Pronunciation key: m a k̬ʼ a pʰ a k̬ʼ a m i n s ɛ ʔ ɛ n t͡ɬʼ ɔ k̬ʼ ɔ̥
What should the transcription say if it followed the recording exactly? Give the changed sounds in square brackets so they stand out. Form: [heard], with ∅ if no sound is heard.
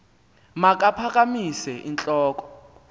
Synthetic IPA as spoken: m a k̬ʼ a pʰ a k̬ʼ a m i [∅] s ɛ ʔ [i] n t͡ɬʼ [ɔː] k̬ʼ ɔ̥